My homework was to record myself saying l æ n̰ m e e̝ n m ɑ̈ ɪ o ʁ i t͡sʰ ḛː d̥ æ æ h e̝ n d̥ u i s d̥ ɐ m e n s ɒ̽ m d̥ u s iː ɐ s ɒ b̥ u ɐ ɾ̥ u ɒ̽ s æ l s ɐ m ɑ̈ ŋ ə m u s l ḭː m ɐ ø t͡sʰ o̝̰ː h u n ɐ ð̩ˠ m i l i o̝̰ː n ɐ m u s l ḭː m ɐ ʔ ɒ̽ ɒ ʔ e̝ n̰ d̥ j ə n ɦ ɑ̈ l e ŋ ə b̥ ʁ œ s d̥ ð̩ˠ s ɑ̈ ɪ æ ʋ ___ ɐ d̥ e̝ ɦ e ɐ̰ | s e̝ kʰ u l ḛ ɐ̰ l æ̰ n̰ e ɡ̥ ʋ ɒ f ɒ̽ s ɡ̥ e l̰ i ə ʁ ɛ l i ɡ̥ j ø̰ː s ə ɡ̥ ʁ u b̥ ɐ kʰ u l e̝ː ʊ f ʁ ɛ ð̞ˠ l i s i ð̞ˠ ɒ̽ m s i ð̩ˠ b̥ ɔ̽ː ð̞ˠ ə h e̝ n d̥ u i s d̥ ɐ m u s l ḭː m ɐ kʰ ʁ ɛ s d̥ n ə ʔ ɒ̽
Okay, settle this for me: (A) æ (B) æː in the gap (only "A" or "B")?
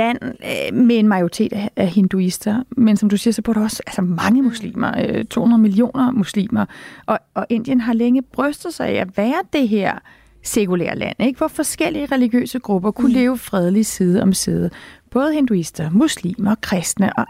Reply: B